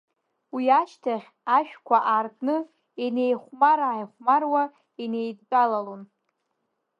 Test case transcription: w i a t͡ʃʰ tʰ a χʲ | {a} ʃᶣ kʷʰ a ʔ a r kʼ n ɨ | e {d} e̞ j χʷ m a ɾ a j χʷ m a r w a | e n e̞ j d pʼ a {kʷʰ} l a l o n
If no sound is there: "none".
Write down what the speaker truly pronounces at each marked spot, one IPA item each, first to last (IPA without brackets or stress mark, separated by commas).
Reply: a, n, none